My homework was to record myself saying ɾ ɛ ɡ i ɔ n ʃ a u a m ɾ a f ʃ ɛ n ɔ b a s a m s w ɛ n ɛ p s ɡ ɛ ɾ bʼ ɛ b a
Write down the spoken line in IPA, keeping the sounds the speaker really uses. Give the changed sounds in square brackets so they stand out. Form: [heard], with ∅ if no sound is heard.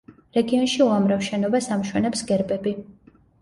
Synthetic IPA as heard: ɾ ɛ ɡ i ɔ n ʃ [i] u a m ɾ a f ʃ ɛ n ɔ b a s a m [ʃ] w ɛ n ɛ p s ɡ ɛ ɾ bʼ ɛ b [i]